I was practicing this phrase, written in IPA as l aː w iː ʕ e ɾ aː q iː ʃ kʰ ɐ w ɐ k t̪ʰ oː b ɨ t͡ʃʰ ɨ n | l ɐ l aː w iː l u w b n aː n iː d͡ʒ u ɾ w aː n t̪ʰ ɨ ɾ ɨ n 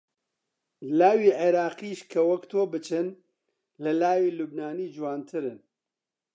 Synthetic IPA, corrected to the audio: l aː w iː ʕ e ɾ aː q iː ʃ kʰ ɐ w ɐ k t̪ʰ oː b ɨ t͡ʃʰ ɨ n | l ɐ l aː w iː l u b n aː n iː d͡ʒ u w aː n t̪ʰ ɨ ɾ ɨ n